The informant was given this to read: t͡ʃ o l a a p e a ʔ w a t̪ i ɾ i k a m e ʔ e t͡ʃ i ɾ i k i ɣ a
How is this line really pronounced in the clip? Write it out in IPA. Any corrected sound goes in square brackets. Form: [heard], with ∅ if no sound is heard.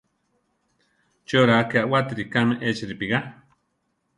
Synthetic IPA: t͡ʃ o [ɾ] a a [k] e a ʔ w a t̪ i ɾ i k a m e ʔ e t͡ʃ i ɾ i [p] i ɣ a

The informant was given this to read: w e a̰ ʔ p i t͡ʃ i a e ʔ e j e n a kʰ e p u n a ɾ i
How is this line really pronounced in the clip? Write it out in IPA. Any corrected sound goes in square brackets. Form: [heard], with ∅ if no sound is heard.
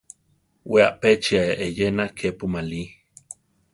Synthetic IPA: w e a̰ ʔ p [e] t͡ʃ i a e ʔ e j e n a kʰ e p u [m] a [l] i

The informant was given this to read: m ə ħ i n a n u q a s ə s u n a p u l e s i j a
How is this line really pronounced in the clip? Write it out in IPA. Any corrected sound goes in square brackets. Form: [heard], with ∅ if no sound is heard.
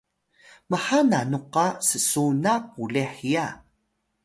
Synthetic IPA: m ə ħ [a] n a n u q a s ə s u n a p u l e [ħ] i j a

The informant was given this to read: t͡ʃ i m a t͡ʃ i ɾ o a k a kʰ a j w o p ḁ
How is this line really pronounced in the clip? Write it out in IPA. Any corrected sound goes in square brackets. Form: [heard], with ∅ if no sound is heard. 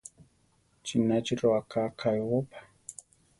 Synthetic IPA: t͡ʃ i [n] a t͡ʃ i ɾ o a k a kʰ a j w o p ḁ

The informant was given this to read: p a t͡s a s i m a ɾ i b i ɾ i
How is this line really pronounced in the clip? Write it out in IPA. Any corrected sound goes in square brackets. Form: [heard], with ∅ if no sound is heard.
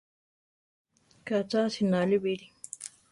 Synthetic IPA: [k] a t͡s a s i [n] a [l] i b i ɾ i

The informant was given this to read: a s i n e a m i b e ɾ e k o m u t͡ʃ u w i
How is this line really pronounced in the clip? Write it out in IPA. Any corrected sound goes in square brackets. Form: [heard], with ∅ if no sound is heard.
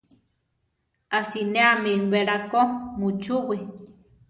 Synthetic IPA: a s i n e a m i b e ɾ [a] k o m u t͡ʃ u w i

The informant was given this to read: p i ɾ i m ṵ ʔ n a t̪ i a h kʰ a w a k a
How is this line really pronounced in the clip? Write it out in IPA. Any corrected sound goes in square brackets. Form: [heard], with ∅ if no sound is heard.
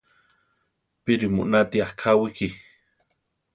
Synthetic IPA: p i ɾ i m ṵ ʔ n a t̪ i a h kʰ a w [i] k [i]

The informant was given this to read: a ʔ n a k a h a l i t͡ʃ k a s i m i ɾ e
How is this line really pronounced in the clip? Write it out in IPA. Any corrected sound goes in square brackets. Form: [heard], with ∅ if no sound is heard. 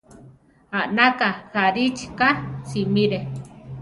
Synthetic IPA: a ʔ n a k a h a [ɾ] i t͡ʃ k a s i m i ɾ e

